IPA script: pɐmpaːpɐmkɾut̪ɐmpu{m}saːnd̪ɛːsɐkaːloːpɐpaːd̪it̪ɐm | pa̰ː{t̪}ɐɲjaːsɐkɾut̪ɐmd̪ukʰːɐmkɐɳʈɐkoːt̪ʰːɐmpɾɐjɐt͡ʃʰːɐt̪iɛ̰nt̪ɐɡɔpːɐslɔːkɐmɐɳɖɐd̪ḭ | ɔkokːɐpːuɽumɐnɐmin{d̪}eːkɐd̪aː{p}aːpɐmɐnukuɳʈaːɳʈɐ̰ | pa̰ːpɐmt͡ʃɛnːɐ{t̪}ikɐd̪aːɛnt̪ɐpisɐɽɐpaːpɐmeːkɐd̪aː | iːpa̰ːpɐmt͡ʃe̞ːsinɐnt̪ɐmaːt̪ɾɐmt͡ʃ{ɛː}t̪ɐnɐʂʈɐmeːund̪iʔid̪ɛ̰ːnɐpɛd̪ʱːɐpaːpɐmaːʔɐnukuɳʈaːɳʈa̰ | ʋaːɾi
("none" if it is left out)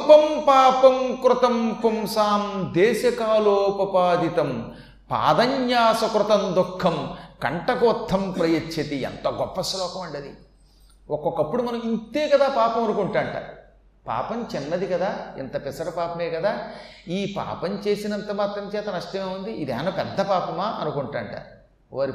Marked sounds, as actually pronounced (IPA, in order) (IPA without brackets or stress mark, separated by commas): m, d̪, t̪, p, d̪, ɛː